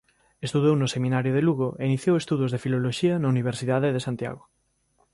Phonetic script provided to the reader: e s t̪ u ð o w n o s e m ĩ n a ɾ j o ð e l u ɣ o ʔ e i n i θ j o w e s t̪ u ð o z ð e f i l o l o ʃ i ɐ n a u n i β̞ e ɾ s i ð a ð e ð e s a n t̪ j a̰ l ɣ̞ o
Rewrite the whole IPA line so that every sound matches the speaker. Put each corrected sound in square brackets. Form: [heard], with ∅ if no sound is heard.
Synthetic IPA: e s t̪ u ð o w n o s e m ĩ n a ɾ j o ð e l u ɣ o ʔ e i n i θ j o w e s t̪ u ð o z ð e f i l o l o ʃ i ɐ n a u n i β̞ e ɾ s i ð a ð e ð e s a n t̪ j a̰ [∅] ɣ̞ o